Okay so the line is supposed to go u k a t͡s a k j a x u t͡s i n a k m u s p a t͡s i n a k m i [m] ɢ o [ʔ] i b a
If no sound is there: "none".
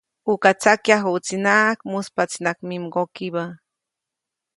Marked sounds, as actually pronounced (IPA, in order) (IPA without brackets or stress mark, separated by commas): m, k